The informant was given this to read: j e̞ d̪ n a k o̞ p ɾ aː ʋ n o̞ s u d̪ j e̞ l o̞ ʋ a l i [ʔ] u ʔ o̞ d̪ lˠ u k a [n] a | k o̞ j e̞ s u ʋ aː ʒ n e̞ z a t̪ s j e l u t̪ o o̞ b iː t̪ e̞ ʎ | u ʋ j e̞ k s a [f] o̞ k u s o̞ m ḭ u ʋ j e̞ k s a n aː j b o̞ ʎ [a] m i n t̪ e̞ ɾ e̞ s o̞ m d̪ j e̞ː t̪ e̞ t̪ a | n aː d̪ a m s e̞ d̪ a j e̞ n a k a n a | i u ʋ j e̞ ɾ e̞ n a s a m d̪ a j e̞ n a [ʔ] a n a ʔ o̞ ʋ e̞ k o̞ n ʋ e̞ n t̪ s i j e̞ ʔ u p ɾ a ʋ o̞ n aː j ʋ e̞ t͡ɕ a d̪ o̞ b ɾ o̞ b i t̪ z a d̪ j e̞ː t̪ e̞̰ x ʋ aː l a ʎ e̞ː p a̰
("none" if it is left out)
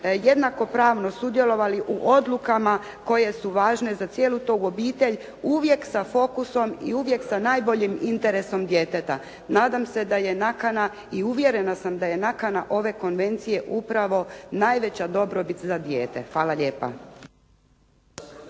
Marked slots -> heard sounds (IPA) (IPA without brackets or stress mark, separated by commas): ʔ, m, f, i, k